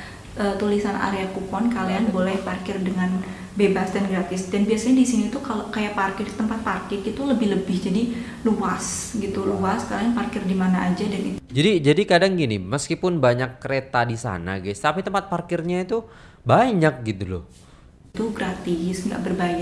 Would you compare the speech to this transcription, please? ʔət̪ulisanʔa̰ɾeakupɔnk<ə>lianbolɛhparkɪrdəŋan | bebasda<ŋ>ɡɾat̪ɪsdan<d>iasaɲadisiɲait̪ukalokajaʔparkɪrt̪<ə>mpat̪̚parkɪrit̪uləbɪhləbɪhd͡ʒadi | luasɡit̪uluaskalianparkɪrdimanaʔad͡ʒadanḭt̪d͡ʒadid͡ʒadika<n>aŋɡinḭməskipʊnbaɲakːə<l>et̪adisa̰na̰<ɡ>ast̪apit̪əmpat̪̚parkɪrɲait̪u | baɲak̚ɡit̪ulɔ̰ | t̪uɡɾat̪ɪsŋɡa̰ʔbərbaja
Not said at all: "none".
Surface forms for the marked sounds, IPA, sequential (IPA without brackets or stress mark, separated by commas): a, n, b, ə, d, ɾ, ɡ